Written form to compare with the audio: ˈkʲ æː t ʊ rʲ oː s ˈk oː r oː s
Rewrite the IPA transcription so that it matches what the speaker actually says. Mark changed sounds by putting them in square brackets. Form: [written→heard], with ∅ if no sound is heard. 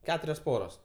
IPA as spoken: ˈkʲ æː t ʊ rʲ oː s [ˈk→ˈp] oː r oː s